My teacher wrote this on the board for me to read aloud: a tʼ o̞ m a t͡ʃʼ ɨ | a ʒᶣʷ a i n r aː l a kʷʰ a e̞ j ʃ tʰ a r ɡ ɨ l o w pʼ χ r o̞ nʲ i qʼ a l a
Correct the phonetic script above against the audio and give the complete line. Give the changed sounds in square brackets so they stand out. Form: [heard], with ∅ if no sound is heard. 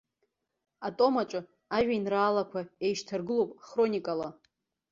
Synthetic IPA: a tʼ o̞ m a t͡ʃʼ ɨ | a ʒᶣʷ a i n r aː l a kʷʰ a e̞ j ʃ tʰ a r ɡ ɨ l o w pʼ χ r o̞ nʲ i [kʼ] a l a